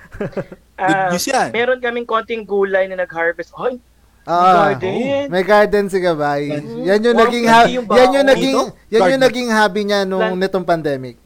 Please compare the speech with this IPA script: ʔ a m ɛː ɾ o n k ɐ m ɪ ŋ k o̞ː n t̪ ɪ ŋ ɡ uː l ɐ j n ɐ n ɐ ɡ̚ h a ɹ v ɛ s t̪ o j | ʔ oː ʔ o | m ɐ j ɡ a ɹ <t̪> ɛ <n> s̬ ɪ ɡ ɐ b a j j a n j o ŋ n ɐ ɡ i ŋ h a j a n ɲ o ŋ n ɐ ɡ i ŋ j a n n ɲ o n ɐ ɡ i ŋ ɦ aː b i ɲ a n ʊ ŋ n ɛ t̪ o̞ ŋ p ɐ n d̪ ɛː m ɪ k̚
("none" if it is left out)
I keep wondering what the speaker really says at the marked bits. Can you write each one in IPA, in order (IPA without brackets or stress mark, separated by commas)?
d̪, n